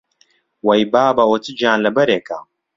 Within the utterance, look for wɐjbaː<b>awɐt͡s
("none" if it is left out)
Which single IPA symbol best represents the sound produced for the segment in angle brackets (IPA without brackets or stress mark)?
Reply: b